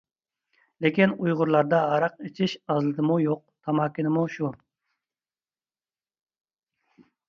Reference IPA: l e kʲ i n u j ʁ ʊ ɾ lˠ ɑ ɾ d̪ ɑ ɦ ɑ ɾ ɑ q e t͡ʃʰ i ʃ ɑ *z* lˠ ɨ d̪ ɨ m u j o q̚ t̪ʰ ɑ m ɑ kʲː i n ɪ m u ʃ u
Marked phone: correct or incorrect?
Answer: correct